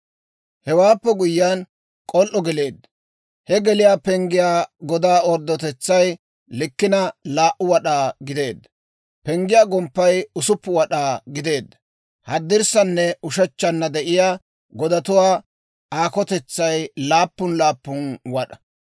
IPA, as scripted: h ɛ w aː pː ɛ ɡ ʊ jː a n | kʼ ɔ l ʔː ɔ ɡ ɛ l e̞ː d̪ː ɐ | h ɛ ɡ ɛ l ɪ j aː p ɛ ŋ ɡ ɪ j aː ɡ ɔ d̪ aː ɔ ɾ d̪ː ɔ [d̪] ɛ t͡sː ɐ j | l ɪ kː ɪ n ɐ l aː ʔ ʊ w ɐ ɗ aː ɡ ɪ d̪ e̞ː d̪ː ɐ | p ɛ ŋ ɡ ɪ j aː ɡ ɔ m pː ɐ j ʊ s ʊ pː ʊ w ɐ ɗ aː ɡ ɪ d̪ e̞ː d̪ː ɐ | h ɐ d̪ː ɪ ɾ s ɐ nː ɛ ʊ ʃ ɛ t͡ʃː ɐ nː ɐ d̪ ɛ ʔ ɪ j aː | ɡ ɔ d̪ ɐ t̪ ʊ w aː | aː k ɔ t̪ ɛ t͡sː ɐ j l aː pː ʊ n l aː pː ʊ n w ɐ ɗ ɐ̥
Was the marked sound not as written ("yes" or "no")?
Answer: yes